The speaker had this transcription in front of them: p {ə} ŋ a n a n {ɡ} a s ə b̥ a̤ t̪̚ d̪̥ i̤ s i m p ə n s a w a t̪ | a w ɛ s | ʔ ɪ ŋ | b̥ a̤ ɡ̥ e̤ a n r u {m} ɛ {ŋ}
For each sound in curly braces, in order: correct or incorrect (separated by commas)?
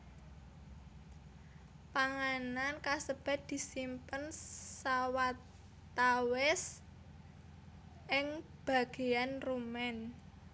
incorrect, incorrect, correct, incorrect